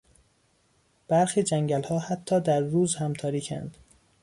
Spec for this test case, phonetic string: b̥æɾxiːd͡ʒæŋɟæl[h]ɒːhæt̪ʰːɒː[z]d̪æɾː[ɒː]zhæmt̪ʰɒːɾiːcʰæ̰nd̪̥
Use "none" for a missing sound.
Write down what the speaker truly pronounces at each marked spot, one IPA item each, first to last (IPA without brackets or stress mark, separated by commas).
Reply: h, none, uː